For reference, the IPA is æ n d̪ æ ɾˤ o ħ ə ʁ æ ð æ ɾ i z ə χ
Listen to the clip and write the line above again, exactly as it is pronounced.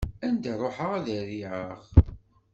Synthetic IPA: æ n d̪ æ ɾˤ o ħ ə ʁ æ ð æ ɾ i ʕ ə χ